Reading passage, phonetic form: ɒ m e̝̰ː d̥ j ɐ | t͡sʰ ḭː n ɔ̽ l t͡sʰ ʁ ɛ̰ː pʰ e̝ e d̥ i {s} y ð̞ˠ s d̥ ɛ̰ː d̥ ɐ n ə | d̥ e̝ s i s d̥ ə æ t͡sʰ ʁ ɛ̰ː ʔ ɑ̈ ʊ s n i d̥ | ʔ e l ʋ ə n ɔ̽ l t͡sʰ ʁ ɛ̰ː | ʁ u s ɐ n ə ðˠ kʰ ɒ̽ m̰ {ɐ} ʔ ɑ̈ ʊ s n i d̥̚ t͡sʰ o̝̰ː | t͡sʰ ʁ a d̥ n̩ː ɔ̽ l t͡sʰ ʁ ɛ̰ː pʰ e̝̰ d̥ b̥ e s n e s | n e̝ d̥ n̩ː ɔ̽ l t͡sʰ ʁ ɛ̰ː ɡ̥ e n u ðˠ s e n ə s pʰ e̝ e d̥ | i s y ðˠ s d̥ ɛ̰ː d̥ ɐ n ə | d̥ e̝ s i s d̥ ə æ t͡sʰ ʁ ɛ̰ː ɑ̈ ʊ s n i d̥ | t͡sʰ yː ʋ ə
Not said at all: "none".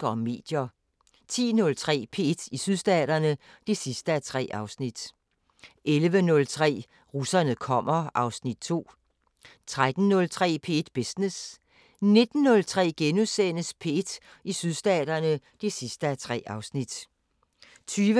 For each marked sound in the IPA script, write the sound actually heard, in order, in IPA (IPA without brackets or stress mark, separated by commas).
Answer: s, ɐ